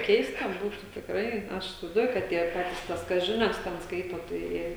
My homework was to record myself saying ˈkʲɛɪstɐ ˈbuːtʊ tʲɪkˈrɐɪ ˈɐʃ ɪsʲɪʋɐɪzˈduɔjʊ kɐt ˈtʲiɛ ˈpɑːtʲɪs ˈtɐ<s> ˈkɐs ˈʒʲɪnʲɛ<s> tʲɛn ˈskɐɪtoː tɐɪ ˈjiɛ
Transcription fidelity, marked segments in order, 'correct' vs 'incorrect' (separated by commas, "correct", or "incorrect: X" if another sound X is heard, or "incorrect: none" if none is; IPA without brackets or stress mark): correct, correct